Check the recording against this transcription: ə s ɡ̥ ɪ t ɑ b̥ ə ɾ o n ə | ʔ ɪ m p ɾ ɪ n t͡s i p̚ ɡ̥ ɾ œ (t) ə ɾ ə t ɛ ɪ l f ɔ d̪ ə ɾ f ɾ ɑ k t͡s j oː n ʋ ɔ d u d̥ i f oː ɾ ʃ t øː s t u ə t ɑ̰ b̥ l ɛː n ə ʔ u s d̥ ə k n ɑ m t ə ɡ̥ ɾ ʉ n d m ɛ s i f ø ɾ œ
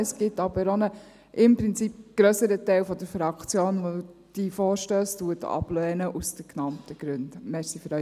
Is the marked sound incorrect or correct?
incorrect